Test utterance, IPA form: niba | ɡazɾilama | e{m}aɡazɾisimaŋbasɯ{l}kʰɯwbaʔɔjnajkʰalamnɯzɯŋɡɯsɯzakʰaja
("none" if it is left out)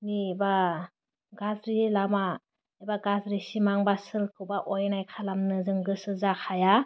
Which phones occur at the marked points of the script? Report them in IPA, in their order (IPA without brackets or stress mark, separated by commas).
b, l